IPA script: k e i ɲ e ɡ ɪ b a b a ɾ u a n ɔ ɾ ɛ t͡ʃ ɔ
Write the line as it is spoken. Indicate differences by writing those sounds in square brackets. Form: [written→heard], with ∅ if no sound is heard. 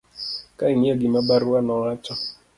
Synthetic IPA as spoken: k [e→a] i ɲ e ɡ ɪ [b→m] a b a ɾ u a n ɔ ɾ [ɛ→a] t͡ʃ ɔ